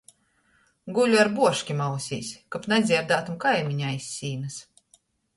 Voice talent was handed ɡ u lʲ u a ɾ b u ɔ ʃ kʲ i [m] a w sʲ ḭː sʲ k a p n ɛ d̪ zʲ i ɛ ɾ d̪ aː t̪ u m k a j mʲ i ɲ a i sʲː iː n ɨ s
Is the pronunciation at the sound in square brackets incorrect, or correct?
correct